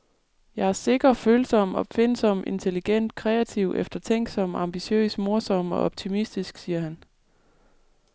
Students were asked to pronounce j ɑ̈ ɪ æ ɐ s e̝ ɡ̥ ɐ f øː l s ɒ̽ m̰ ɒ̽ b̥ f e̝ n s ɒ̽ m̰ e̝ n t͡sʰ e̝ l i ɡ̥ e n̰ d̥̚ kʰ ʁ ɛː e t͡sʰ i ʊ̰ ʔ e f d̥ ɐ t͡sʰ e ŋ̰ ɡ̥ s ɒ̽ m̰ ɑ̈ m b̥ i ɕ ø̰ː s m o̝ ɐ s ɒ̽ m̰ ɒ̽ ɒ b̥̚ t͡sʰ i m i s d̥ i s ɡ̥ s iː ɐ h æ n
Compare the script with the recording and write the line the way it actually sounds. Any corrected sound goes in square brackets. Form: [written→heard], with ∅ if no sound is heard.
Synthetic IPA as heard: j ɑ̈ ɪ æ ɐ s e̝ ɡ̥ ɐ f øː l s ɒ̽ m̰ ɒ̽ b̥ f e̝ n s ɒ̽ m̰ e̝ n t͡sʰ e̝ l i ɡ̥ e n̰ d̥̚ kʰ ʁ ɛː [e→æ] t͡sʰ i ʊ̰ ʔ e f d̥ ɐ t͡sʰ e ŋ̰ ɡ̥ s ɒ̽ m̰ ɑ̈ m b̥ i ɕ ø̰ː s m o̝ ɐ s ɒ̽ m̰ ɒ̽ ɒ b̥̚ t͡sʰ i m i s d̥ i s ɡ̥ s iː ɐ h æ n